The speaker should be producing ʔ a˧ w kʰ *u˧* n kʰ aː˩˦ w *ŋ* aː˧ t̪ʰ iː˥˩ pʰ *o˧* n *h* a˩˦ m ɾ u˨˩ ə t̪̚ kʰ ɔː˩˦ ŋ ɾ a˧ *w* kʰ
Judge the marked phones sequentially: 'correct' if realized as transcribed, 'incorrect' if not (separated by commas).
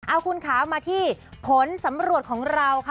correct, incorrect, incorrect, incorrect, correct